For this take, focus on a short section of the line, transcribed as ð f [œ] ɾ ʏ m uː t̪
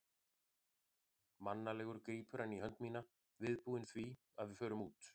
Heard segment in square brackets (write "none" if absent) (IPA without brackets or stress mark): œː